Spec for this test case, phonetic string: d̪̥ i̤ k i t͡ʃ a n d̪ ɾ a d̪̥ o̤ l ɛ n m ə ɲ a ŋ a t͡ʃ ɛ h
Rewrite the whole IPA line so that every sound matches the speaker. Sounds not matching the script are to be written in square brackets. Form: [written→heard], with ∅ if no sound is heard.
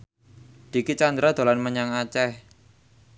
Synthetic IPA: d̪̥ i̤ k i t͡ʃ a n d̪ ɾ a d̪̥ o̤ l [ɛ→a] n m ə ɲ a ŋ a t͡ʃ ɛ h